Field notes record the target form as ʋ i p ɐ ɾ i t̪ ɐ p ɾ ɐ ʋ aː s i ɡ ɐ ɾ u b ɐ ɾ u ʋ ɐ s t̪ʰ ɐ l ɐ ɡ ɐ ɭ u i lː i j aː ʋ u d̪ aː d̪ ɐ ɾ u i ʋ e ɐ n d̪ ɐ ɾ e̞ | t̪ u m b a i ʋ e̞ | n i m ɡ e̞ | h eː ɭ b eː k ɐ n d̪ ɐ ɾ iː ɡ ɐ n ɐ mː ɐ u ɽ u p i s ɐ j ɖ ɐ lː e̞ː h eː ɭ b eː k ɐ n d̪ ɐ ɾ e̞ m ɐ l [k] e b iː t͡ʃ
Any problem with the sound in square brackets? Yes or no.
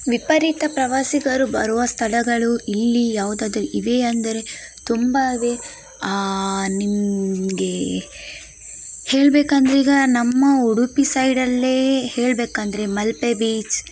yes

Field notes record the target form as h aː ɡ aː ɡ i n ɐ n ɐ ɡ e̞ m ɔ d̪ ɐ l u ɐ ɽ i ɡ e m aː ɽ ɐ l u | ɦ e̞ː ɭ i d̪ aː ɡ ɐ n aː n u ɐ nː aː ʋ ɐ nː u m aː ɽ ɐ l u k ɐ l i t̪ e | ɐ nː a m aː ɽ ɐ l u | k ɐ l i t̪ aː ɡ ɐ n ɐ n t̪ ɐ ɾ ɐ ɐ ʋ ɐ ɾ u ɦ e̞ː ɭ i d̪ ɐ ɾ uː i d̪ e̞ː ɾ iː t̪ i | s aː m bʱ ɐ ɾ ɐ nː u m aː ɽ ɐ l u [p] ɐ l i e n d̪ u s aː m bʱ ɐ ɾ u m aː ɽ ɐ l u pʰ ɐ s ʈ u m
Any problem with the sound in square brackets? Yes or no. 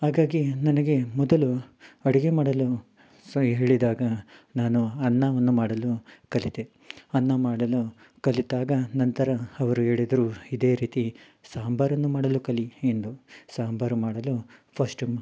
yes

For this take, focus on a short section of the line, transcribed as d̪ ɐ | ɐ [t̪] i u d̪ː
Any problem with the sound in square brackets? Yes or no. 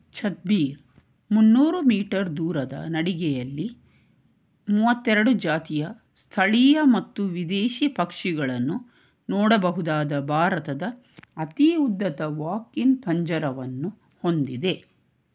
no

